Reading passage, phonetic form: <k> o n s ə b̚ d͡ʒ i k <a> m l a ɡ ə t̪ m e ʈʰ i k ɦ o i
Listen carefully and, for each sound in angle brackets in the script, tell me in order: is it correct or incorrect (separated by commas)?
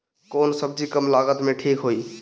correct, incorrect